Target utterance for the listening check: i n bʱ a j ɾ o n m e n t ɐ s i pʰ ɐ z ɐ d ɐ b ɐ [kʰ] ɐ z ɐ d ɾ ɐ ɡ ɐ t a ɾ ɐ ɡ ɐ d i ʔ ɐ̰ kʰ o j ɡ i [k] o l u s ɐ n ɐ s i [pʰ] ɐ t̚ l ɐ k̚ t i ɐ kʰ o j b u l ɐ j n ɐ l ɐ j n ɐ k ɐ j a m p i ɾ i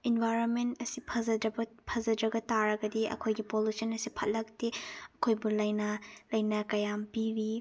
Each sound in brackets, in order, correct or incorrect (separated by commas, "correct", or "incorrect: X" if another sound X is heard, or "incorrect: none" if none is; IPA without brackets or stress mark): incorrect: pʰ, incorrect: p, correct